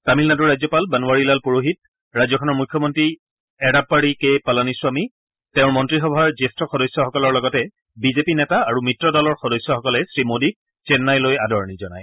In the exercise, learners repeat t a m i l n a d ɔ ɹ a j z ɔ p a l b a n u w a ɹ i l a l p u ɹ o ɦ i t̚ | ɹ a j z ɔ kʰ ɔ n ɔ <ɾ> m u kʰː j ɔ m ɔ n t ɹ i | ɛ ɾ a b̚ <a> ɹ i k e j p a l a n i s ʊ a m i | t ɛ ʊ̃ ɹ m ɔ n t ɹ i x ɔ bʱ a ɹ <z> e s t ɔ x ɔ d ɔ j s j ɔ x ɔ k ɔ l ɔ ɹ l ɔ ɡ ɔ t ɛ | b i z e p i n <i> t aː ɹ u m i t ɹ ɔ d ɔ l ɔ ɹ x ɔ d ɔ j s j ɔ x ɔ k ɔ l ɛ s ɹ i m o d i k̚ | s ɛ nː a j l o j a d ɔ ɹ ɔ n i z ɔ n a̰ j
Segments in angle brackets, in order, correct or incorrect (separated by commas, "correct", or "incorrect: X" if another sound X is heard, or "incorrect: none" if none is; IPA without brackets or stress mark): incorrect: ɹ, correct, correct, incorrect: ɛ